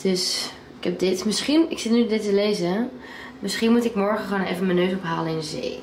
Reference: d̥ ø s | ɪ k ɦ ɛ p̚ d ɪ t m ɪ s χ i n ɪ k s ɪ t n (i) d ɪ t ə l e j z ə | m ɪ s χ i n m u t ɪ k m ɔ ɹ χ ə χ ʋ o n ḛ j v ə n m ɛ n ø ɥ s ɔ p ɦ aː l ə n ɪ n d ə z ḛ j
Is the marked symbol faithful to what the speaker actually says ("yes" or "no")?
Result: no